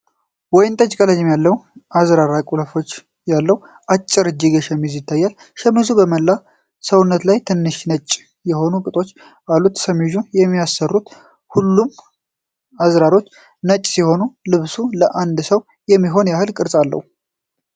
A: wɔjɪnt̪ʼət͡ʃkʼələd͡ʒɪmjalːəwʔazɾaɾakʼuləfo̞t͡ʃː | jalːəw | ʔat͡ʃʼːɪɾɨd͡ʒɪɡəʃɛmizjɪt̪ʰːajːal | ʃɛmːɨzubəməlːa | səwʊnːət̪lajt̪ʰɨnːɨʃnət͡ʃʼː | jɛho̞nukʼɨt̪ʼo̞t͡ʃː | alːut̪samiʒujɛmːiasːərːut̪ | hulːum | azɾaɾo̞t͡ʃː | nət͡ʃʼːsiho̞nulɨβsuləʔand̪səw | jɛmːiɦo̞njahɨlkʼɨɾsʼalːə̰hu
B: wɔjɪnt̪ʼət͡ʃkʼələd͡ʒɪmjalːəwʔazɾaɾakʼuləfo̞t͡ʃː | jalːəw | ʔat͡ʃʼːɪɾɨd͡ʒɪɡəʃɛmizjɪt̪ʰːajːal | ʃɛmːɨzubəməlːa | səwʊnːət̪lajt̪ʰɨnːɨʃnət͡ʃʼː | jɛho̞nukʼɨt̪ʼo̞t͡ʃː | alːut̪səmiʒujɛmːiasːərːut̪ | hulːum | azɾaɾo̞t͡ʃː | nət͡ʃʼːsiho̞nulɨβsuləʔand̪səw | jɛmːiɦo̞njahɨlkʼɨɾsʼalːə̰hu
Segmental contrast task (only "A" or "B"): B